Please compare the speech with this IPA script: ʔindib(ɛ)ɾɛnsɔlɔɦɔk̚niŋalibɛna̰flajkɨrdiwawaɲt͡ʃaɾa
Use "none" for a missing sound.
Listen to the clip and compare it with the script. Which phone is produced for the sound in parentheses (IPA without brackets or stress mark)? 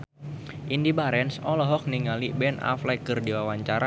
a